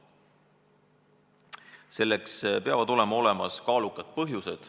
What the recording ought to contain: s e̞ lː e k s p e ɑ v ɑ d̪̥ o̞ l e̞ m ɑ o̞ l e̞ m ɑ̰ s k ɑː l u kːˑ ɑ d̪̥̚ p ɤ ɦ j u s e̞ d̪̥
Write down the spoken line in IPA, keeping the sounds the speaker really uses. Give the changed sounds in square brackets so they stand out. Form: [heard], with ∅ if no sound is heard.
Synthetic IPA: s e̞ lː e k s p e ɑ v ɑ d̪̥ o̞ l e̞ m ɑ o̞ l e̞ m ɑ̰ s k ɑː l u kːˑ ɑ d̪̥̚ p ɤ ɦ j u s e̞ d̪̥